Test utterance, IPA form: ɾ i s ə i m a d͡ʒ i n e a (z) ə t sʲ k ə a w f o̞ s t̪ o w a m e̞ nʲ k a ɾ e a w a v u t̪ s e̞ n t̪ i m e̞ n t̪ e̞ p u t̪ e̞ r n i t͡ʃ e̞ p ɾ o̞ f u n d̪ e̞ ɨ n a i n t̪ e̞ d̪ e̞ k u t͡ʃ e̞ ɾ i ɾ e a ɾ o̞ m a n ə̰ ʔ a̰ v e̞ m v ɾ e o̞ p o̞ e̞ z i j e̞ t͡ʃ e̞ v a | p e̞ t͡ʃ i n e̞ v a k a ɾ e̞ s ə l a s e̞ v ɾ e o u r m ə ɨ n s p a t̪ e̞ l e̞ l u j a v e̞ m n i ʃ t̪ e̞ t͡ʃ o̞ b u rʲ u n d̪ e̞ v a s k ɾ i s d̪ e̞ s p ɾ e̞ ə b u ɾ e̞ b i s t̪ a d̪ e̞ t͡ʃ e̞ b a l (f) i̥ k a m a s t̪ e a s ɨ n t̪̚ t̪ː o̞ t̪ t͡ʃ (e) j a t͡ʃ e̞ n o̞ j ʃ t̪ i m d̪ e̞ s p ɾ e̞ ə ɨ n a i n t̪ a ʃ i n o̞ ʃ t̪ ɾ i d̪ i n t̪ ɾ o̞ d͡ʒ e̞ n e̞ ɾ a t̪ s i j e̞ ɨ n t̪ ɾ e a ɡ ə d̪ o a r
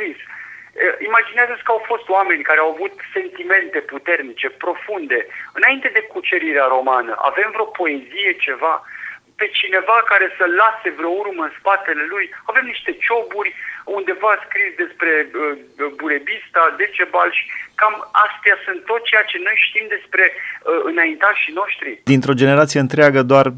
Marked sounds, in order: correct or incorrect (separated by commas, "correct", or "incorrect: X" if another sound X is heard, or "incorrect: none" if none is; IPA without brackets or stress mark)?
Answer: correct, incorrect: ʃ, correct